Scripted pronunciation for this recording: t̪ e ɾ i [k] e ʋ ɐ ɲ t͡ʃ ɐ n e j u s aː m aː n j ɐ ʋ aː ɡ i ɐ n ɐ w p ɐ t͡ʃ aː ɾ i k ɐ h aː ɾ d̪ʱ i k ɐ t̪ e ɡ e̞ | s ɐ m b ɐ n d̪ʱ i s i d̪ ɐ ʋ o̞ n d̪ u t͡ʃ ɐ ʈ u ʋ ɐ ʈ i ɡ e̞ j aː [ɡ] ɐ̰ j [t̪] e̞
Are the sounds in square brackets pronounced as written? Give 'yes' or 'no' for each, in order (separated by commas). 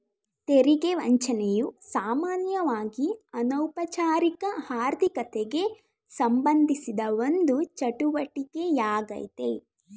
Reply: no, yes, yes